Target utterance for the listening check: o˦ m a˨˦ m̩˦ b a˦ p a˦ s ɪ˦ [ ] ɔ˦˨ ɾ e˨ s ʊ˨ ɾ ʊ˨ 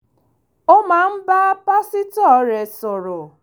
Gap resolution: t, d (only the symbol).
t